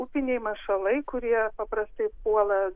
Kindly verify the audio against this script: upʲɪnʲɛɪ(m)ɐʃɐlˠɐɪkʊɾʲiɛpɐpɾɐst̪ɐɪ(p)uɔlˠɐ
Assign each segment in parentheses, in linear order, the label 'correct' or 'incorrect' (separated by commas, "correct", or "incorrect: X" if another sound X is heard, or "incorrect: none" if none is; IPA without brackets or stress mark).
correct, correct